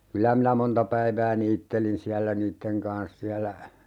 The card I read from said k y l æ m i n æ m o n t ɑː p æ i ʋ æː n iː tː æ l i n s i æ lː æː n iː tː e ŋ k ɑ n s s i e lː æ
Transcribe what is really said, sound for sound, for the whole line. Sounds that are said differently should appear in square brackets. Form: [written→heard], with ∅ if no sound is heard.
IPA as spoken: k y l æ m i n æ m o n t [ɑː→ɑ] p æ i ʋ æː n iː tː [æ→e] l i n s i æ lː [æː→æ] n iː tː e ŋ k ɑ n s s i [e→æ] lː æ